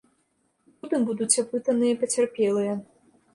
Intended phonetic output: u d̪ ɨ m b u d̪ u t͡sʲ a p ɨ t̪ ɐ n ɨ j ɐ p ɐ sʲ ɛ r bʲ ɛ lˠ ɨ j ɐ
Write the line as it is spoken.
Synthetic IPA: u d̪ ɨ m b u d̪ u t͡sʲ a p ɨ t̪ ɐ n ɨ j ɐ p ɐ t͡sʲ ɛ r pʲ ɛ lˠ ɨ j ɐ

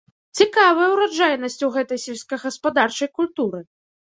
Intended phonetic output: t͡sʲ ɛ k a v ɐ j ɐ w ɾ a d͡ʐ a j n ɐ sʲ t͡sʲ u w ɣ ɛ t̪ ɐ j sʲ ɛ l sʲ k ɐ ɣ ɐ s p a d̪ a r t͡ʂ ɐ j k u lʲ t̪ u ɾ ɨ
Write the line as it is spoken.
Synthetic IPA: t͡sʲ i k a v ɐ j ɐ w ɾ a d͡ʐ a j n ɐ sʲ t͡sʲ u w ɣ ɛ t̪ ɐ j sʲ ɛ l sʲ k ɐ ɣ ɐ s p a d̪ a r t͡ʂ ɐ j k u lʲ t̪ u ɾ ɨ

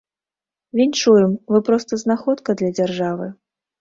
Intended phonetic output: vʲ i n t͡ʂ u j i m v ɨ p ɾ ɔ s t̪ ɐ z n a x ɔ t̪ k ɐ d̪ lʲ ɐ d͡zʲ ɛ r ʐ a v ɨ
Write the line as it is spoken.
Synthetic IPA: vʲ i n t͡ʂ u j ɛ m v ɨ p ɾ ɔ s t̪ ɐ z n a x ɔ t̪ k ɐ d̪ lʲ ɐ d͡zʲ a r ʐ a v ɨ

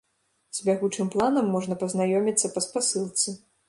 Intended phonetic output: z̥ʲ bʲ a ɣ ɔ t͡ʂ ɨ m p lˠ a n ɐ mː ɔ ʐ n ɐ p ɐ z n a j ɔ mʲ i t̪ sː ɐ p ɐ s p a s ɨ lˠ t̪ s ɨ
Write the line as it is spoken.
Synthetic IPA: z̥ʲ bʲ a ɣ u t͡ʂ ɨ m p lˠ a n ɐ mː ɔ ʐ n ɐ p ɐ z n a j ɔ mʲ i t̪ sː ɐ p ɐ s p a s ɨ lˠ t̪ s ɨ

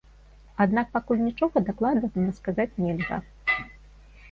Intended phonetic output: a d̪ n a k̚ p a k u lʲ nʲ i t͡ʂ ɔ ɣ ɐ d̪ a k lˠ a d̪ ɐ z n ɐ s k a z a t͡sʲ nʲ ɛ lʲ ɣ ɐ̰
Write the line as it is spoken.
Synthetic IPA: a d̪ n a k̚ p a k u lʲ nʲ i t͡ʂ ɔ ɣ ɐ d̪ a k lˠ a d̪ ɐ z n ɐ s k a z a t͡sʲ nʲ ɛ lʲ ɣ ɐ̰

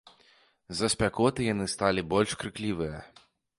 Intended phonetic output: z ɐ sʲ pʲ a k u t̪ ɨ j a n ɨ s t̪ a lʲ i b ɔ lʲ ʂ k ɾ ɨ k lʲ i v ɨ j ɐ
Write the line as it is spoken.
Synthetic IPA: z ɐ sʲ pʲ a k ɔ t̪ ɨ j a n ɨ s t̪ a lʲ i b ɔ lʲ ʂ k ɾ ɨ k lʲ i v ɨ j ɐ

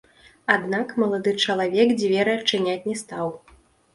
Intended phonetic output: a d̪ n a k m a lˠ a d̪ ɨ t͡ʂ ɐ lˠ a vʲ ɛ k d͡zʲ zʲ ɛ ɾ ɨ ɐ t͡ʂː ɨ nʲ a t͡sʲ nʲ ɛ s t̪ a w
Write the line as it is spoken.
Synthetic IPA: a d̪ n a k m ɐ lˠ a d̪ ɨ t͡ʂ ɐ lˠ a vʲ ɛ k d͡zʲ vʲ ɛ ɾ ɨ ɐ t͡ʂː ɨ nʲ a t͡sʲ nʲ ɛ s t̪ a w

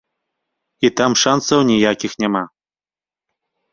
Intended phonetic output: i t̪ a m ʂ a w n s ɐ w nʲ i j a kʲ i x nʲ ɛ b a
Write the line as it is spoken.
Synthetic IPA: i t̪ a m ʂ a n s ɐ w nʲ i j a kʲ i x nʲ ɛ m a

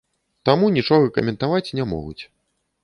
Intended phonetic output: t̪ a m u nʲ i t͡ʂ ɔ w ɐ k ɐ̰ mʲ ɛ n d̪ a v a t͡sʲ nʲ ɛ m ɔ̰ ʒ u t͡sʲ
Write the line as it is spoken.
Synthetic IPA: t̪ a m u nʲ i t͡ʂ ɔ ɣ ɐ k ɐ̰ mʲ ɛ n t̪ a v a t͡sʲ nʲ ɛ m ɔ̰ ɣ u t͡sʲ

